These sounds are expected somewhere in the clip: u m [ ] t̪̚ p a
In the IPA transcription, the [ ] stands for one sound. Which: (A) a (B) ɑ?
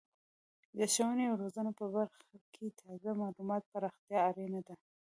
B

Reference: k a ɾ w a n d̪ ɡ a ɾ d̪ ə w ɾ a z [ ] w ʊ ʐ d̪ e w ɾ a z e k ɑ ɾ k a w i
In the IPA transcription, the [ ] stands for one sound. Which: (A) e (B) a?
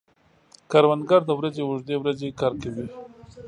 A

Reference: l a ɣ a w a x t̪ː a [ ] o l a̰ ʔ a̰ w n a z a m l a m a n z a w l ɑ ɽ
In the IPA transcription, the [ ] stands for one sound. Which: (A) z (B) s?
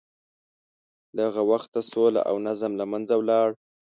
B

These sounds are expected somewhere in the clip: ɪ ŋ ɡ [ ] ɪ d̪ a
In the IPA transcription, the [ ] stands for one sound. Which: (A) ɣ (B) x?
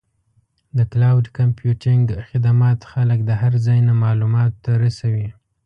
B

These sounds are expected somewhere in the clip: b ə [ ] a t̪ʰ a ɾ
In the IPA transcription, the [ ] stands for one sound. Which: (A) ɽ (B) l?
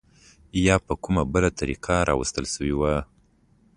B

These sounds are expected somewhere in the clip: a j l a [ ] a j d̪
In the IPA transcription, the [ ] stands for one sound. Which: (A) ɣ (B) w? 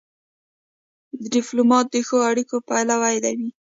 B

